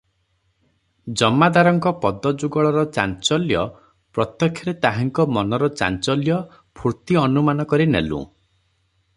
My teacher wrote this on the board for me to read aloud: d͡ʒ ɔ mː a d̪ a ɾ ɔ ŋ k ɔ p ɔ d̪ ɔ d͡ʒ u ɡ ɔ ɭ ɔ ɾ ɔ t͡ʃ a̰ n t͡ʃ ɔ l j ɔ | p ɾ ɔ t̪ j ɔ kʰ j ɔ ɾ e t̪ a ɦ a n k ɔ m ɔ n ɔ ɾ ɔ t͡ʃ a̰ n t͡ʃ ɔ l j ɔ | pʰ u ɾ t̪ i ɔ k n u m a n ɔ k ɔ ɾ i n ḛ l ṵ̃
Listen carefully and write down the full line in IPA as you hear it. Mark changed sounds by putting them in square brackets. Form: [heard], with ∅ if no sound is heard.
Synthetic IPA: d͡ʒ ɔ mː a d̪ a ɾ ɔ ŋ k ɔ p ɔ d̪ ɔ d͡ʒ u ɡ ɔ ɭ ɔ ɾ ɔ t͡ʃ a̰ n t͡ʃ ɔ l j ɔ | p ɾ ɔ t̪ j ɔ kʰ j ɔ ɾ e t̪ a ɦ a [ŋ] k ɔ m ɔ n ɔ ɾ ɔ t͡ʃ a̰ n t͡ʃ ɔ l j ɔ | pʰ u ɾ t̪ i ɔ [∅] n u m a n ɔ k ɔ ɾ i n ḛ l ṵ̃